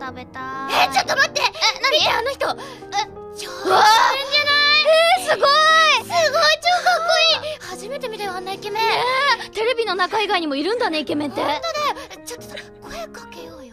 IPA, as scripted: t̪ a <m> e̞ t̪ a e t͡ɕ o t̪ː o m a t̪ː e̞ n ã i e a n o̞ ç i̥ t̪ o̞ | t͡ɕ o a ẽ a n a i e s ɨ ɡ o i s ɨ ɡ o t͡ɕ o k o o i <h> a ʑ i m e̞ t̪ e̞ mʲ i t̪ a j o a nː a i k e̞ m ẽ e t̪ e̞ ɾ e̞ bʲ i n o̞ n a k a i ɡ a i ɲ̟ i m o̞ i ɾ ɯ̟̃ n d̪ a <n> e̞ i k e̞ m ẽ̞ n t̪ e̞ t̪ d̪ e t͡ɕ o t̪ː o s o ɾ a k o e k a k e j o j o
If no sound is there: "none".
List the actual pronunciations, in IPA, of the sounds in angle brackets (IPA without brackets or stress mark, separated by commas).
b, h, n